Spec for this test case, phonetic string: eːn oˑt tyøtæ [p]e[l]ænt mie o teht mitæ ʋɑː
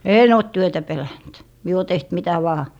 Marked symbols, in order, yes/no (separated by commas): yes, yes